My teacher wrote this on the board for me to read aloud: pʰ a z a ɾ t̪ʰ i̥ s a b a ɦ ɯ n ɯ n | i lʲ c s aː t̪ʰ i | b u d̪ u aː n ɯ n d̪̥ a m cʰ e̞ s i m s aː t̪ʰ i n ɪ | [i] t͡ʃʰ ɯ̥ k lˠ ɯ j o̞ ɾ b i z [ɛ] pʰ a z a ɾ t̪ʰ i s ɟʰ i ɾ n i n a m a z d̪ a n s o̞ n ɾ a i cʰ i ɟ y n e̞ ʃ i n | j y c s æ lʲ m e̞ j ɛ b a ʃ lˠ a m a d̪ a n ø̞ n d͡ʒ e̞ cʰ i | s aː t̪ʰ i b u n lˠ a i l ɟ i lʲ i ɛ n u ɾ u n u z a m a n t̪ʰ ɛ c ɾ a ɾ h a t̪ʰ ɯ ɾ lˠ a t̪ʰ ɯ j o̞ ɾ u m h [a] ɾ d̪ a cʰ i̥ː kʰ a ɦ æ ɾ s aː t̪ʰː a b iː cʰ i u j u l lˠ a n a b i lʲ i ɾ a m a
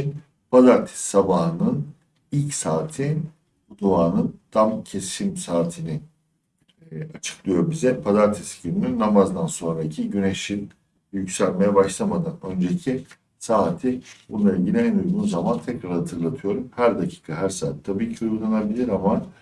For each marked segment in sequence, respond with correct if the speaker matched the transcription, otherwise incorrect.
incorrect: a, correct, incorrect: æ

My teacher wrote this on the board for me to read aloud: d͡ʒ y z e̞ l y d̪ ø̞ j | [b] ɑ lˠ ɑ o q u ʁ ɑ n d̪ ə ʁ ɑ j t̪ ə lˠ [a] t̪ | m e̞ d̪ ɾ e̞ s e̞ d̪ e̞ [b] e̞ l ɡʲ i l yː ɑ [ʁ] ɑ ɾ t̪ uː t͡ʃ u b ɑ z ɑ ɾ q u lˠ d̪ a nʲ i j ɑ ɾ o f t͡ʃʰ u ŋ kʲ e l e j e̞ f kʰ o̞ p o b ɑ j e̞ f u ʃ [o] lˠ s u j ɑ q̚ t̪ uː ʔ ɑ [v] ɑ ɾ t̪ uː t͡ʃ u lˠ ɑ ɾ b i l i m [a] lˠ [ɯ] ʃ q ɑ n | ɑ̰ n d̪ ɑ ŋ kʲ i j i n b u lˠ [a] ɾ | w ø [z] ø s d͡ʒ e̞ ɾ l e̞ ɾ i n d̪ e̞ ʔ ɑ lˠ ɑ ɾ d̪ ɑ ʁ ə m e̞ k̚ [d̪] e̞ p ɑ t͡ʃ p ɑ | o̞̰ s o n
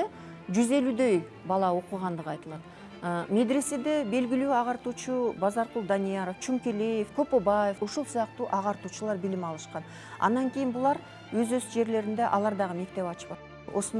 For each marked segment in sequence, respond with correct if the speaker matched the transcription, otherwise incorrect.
correct, incorrect: ɑ, correct, correct, incorrect: u, incorrect: ʁ, incorrect: ɑ, correct, incorrect: ɑ, correct, incorrect: t̪

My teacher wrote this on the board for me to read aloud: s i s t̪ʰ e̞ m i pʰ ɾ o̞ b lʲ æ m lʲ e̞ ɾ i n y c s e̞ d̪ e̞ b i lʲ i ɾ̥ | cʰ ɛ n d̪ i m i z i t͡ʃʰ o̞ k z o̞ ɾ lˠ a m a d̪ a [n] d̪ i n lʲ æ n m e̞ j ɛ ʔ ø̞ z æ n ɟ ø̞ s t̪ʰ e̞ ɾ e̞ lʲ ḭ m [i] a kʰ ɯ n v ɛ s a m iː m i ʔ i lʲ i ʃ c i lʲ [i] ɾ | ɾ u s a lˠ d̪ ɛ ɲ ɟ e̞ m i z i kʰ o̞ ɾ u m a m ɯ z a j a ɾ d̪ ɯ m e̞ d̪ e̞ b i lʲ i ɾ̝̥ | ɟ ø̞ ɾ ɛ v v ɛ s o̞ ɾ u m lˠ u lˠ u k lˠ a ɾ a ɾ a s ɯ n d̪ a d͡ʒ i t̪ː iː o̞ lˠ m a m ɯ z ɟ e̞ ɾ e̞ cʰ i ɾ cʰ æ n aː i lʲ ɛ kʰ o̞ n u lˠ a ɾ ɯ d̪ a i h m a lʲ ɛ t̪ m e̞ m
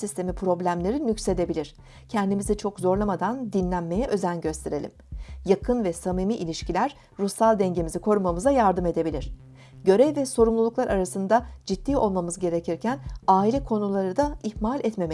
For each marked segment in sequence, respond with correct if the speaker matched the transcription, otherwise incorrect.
correct, incorrect: j, incorrect: æ

